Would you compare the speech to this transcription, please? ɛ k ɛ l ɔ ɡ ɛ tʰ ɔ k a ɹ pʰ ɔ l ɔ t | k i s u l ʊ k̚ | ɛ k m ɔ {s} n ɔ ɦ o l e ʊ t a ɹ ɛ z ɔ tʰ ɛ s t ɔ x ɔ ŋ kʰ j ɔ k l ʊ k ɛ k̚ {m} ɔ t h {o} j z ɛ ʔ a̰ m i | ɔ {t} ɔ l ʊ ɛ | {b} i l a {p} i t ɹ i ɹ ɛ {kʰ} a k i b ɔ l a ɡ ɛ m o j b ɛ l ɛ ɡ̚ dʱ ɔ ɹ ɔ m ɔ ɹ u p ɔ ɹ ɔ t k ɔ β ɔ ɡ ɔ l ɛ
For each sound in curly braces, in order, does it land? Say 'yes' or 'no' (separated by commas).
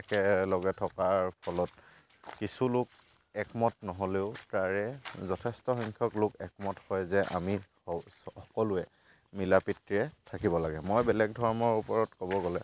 no, yes, no, no, no, yes, no